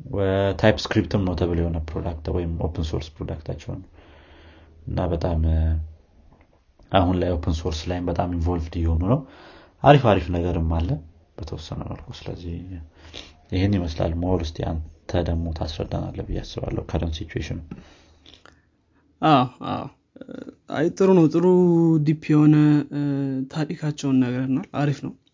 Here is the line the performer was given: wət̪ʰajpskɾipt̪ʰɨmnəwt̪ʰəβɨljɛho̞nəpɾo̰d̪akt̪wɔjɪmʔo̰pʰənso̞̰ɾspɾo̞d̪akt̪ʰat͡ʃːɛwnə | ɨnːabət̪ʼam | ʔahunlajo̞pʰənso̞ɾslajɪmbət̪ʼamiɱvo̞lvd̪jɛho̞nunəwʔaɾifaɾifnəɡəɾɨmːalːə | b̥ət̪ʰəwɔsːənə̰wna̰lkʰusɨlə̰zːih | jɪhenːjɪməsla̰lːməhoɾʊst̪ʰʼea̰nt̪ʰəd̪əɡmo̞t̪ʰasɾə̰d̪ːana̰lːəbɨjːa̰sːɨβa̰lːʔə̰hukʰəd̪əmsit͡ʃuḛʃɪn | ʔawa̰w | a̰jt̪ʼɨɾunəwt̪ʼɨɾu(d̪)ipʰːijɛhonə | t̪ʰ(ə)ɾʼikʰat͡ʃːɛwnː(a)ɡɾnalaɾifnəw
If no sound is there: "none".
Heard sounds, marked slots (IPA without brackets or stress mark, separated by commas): d̪, a, ə